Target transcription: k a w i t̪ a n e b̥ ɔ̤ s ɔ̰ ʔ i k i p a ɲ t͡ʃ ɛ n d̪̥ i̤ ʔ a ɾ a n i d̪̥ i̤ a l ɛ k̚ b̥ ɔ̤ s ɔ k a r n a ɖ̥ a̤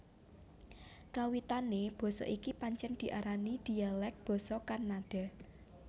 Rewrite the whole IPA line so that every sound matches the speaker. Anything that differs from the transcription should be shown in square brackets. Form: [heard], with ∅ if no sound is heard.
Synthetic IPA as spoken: k a w i t̪ a n e b̥ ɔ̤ s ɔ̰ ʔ i k i p a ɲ t͡ʃ ɛ n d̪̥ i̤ ʔ a ɾ a n i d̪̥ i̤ a l ɛ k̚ b̥ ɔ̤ s ɔ k a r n a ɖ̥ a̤